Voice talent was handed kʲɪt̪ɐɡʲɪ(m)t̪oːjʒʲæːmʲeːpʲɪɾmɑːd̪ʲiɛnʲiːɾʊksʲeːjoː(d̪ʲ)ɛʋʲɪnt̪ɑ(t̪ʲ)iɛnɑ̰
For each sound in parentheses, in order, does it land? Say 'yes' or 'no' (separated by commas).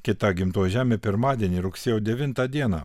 yes, yes, no